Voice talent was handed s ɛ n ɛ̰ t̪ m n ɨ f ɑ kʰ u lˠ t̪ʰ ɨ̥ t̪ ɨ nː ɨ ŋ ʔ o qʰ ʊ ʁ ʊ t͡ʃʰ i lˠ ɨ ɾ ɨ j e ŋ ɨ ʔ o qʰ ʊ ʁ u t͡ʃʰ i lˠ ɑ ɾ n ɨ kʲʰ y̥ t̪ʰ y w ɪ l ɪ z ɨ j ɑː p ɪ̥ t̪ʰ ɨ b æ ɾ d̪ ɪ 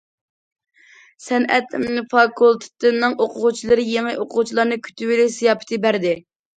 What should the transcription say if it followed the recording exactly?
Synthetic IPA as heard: s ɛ n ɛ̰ t̪ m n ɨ f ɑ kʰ u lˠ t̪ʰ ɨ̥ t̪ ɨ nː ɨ ŋ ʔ o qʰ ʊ ʁ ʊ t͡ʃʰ i lˠ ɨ ɾ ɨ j e ŋ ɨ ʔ o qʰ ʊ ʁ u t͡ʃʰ i lˠ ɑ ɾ n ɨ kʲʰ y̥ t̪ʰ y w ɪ l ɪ s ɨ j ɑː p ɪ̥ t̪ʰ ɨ b æ ɾ d̪ ɪ